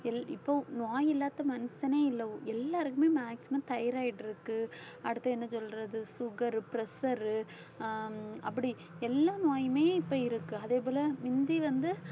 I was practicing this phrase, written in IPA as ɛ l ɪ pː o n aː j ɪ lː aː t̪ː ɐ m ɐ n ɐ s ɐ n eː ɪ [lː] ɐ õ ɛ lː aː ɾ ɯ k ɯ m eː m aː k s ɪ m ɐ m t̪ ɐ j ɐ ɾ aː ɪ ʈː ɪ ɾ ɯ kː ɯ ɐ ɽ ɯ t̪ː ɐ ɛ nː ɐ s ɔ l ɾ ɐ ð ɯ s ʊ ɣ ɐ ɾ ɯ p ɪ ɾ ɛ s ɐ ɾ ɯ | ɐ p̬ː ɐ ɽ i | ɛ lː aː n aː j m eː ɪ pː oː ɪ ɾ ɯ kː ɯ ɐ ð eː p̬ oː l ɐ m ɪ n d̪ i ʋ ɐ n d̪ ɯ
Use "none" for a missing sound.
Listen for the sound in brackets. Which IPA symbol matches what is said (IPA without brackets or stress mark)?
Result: lː